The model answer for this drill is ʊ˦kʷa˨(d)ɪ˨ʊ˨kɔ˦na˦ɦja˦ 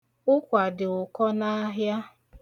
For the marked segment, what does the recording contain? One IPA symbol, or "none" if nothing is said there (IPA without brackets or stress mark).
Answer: d